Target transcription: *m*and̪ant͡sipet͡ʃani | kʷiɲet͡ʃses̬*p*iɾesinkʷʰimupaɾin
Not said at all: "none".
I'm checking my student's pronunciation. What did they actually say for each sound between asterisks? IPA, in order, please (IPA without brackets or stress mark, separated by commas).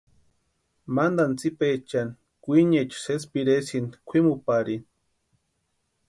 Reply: m, p